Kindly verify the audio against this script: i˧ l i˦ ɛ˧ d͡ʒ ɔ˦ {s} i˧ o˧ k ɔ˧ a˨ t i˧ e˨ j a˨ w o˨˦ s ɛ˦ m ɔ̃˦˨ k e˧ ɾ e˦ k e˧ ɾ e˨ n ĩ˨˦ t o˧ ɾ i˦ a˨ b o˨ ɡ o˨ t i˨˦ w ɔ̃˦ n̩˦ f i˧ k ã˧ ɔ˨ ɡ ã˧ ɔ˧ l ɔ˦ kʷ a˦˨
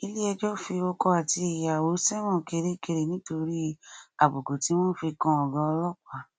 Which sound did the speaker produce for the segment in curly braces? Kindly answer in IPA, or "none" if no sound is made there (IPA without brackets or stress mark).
f